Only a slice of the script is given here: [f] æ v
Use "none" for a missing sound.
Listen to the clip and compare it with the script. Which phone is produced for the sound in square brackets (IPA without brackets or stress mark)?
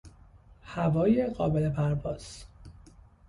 h